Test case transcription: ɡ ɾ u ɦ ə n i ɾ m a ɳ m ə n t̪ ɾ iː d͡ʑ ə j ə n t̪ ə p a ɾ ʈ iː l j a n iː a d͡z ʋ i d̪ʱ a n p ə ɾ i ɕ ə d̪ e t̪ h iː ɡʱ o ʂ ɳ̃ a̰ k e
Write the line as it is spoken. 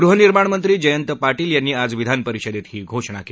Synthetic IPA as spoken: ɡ ɾ u ɦ ə n i ɾ m a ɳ m ə n t̪ ɾ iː d͡ʑ ə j ə n t̪ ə p a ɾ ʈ iː l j a nː iː a d͡z ʋ i d̪ʱ a n p ə ɾ i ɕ ə d̪ e t̪ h iː ɡʱ o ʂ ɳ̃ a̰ k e